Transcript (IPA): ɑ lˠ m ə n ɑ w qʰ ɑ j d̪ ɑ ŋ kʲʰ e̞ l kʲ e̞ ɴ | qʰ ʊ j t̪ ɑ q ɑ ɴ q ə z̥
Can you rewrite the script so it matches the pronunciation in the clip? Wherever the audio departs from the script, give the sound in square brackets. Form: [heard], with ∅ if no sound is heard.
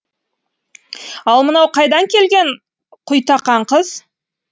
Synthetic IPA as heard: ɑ lˠ m ə n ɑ w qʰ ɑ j d̪ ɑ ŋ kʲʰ e̞ l [ɡʲ] e̞ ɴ | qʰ ʊ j t̪ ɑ q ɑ ɴ q ə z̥